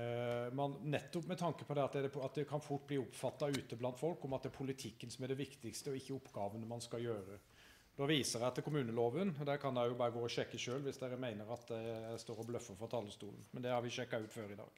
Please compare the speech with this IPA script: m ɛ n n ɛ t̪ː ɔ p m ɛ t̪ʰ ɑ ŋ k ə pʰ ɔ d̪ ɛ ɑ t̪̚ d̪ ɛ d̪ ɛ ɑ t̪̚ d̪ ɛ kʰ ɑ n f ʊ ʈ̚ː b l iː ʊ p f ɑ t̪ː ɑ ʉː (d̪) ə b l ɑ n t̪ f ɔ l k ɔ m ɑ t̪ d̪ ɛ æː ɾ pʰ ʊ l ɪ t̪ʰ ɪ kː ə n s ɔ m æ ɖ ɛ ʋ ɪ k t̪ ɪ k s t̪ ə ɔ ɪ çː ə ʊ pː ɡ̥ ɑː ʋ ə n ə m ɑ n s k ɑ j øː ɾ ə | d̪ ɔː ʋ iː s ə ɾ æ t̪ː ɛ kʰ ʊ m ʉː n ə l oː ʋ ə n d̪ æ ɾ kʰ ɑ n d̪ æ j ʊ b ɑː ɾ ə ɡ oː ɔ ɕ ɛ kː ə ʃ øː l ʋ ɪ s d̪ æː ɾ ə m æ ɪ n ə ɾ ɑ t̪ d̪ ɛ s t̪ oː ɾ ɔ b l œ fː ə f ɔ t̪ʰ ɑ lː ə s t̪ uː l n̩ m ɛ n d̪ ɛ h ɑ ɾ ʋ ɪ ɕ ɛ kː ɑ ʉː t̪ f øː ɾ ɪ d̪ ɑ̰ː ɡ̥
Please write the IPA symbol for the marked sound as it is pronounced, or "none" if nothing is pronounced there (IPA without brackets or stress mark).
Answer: t̪